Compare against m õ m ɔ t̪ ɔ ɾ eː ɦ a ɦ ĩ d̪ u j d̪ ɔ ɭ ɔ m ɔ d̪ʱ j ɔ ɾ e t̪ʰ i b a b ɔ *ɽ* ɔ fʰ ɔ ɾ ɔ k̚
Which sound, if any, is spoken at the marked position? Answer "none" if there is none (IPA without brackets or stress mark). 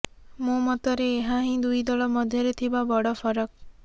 ɽ